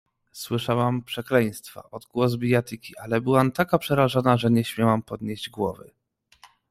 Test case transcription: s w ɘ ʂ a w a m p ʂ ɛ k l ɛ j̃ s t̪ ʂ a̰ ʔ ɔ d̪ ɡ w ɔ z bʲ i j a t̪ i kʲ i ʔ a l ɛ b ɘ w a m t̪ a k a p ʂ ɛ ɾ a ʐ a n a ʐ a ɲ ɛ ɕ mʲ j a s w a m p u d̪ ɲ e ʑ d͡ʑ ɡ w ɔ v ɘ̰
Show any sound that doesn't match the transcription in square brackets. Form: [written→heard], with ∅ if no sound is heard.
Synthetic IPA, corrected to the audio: s w ɘ ʂ a w a m p ʂ ɛ k l ɛ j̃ s t̪ [ʂ→f] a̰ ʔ ɔ d̪ ɡ w ɔ z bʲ i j a t̪ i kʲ i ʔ a l ɛ b ɘ w a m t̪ a k a p ʂ ɛ ɾ a ʐ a n a ʐ [a→ɛ] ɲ ɛ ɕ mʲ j a [s→∅] w a m p [u→ɔ] d̪ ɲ e ʑ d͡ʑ ɡ w ɔ v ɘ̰